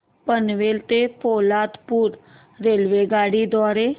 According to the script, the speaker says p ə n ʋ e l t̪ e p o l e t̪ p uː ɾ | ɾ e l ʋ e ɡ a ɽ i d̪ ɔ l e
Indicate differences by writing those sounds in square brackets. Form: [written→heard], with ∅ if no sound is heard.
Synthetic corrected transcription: p ə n ʋ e l t̪ e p o l [e→a] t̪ p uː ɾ | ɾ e l ʋ e ɡ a ɽ i d̪ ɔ [l→ɾ] e